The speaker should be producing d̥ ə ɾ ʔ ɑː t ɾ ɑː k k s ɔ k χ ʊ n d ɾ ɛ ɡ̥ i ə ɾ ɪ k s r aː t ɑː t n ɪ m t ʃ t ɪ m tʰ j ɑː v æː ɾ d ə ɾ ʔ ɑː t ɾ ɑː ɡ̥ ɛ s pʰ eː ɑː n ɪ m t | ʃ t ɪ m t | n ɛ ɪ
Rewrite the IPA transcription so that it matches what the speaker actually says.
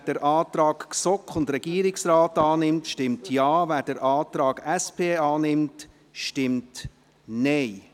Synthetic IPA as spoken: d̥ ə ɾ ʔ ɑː t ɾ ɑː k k s ɔ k χ ʊ n d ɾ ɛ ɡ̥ i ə ɾ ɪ k s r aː t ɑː n ɪ m t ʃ t ɪ m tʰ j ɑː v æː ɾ d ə ɾ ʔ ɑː t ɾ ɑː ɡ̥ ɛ s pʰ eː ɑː n ɪ m t | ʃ t ɪ m t | n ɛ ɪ